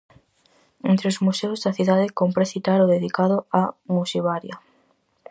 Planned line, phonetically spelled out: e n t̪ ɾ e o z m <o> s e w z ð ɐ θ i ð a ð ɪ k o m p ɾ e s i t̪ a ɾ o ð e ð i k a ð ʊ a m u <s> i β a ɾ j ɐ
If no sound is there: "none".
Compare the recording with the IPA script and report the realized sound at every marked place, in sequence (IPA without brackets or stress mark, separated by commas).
u, s